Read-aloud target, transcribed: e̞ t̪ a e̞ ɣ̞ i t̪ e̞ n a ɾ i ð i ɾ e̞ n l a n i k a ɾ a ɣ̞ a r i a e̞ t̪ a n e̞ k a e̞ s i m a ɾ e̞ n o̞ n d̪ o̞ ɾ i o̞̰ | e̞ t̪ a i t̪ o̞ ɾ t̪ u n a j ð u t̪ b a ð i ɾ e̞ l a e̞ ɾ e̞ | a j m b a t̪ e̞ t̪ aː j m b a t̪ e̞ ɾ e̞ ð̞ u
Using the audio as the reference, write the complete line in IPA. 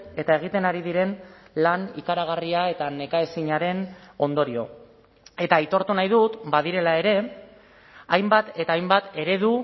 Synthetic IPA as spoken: e̞ t̪ a e̞ ɣ̞ i t̪ e̞ n a ɾ i ð i ɾ e̞ n l a n i k a ɾ a ɣ̞ a r i a e̞ t̪ a n e̞ k a e̞ s i ɲ a ɾ e̞ n o̞ n d̪ o̞ ɾ i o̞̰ | e̞ t̪ a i t̪ o̞ ɾ t̪ u n a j ð u t̪ b a ð i ɾ e̞ l a e̞ ɾ e̞ | a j m b a t̪ e̞ t̪ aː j m b a t̪ e̞ ɾ e̞ ð̞ u